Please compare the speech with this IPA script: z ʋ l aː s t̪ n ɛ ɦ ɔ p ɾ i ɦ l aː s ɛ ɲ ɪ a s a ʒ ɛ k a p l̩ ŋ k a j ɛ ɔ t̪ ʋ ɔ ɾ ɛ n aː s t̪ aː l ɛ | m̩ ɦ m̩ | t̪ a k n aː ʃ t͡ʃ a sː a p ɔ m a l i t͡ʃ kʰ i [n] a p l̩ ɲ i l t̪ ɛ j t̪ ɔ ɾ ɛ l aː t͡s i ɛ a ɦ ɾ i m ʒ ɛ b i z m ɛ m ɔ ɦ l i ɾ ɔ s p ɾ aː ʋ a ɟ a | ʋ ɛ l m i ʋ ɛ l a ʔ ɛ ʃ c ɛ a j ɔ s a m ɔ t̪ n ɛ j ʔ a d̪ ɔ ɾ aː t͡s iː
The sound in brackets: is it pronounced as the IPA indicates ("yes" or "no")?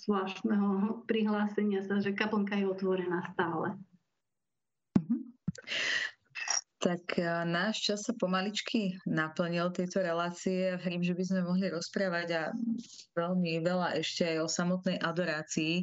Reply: yes